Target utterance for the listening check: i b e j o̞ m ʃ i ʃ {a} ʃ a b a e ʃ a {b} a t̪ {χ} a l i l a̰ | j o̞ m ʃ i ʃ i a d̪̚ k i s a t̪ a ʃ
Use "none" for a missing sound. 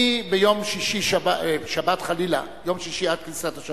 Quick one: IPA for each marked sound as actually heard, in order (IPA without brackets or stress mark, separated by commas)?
i, b, χ